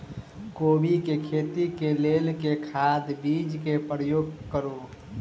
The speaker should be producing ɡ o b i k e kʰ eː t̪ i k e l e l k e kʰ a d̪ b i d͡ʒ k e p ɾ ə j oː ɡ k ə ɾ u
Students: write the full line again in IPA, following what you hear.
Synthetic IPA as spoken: k o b i k e kʰ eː t̪ i k e l e l k e kʰ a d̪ b i d͡ʒ k e p ɾ ə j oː ɡ k ə ɾ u